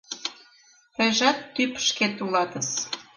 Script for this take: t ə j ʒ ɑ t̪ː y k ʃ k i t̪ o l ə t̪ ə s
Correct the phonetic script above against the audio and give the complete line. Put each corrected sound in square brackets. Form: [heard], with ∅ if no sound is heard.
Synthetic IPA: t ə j ʒ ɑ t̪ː y [p] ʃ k [e] t̪ [u] l [ɑ] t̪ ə s

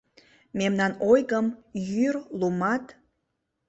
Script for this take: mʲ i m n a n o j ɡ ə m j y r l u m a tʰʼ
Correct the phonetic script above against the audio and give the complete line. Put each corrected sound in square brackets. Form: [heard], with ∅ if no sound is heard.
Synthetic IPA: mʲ [e] m n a n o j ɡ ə m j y r l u m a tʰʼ

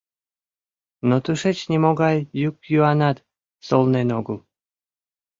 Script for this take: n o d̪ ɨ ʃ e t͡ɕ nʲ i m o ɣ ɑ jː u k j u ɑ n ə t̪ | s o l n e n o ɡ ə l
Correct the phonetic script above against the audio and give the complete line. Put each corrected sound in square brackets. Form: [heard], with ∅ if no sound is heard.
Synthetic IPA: n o [t̪] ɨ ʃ e t͡ɕ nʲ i m o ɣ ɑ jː u k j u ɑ n [ɑ] t̪ | s o l n e n o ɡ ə l

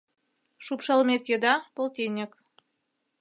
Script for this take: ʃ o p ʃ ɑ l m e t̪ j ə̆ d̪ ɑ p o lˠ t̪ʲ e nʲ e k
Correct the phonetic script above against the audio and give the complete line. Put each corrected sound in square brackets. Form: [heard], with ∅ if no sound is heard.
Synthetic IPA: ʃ [u] p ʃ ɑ l m e t̪ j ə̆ d̪ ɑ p o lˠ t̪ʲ e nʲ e k

